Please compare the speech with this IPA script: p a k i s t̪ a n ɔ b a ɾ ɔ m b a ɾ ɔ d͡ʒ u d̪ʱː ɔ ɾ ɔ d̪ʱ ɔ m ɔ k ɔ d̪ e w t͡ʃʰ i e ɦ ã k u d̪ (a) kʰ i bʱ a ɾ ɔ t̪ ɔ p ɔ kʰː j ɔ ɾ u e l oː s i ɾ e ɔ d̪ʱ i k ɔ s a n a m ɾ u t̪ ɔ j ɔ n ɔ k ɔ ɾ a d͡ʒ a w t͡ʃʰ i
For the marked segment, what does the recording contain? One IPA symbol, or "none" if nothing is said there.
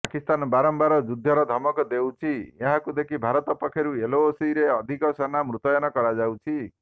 e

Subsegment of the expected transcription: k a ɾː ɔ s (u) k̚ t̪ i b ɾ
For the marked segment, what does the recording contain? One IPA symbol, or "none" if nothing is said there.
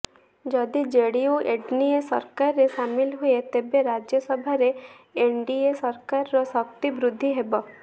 ɔ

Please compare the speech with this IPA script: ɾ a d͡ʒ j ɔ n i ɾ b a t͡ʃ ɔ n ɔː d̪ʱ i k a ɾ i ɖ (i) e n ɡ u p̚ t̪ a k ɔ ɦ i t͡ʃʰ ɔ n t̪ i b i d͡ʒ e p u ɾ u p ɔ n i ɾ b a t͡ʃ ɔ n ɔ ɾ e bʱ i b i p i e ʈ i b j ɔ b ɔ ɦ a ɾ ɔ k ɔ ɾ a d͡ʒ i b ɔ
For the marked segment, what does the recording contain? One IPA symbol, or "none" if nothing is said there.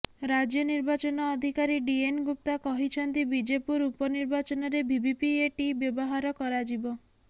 i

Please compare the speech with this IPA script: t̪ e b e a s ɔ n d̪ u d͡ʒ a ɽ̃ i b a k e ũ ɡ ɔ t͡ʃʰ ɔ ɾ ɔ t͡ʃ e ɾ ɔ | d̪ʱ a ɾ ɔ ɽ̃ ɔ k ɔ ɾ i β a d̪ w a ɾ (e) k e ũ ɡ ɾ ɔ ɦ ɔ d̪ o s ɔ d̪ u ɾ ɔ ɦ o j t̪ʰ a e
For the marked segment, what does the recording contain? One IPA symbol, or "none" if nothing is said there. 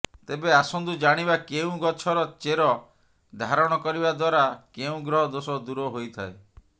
a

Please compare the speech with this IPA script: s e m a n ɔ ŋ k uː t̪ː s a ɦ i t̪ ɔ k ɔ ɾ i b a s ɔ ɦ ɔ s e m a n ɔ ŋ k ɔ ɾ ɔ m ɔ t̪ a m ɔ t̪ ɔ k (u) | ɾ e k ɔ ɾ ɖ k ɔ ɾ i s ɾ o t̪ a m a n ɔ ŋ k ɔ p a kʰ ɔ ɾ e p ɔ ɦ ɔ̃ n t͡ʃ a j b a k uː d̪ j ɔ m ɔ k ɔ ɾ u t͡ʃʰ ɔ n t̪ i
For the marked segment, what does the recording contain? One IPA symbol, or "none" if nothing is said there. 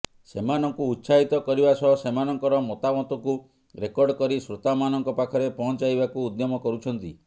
u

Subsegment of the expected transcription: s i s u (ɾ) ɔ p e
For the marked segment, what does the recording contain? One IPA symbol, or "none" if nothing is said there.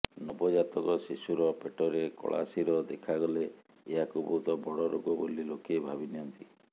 ɾ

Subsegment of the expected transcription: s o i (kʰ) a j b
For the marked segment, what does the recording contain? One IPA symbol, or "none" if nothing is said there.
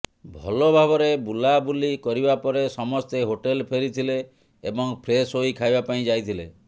kʰ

